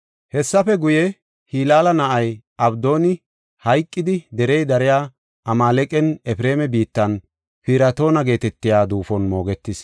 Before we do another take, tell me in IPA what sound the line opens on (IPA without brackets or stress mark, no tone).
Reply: h